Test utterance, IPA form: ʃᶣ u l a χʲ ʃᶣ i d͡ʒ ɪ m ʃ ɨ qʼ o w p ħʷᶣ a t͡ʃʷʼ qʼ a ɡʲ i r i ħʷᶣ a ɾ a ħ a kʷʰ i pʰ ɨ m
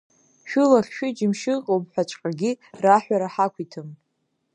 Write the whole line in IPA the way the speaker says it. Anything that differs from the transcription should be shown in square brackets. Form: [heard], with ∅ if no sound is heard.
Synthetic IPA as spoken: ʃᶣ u l a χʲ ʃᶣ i d͡ʒ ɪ m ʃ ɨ qʼ o w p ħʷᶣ a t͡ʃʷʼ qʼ a ɡʲ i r [a] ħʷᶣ a ɾ a ħ a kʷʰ i [tʰ] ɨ m